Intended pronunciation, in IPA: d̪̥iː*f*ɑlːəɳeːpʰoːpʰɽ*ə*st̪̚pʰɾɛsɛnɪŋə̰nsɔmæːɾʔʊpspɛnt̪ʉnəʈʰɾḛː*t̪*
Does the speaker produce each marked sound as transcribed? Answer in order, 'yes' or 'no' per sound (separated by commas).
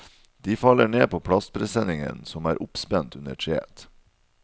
yes, no, yes